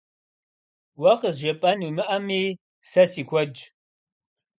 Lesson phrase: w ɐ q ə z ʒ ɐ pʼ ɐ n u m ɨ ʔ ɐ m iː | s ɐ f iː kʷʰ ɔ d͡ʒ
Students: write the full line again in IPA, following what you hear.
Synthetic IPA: w ɐ q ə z ʒ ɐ pʼ ɐ n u m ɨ ʔ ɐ m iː | s ɐ s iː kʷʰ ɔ d͡ʒ